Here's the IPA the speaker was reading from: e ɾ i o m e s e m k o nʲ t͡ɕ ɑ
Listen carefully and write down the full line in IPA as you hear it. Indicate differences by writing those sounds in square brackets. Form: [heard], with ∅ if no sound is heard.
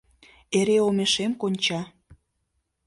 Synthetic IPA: e ɾ [e] o m e [ʃ] e m k o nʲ t͡ɕ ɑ